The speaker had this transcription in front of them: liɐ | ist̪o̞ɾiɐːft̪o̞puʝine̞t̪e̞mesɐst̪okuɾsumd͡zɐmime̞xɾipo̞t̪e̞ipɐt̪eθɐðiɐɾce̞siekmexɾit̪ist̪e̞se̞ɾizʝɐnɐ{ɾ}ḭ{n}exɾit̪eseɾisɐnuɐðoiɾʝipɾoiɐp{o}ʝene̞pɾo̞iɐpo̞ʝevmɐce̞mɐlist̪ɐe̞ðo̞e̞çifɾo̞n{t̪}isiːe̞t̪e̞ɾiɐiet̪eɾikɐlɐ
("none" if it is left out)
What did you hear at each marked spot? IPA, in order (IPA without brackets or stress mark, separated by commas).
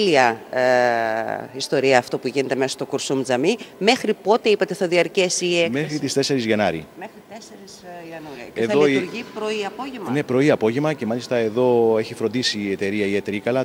ɾ, m, o, d̪